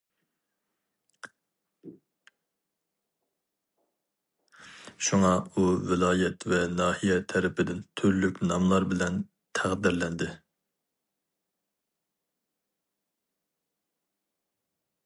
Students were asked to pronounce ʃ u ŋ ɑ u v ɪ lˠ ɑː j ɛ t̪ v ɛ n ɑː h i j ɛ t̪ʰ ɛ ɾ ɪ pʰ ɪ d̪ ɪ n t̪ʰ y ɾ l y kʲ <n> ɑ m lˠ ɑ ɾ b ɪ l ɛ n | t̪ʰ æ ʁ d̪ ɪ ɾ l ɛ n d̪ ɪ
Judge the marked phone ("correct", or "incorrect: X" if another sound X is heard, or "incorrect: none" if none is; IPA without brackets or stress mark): correct